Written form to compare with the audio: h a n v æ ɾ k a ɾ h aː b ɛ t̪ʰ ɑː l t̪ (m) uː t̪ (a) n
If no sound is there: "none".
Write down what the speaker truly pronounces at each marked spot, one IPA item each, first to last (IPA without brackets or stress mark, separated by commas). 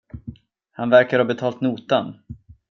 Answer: n, a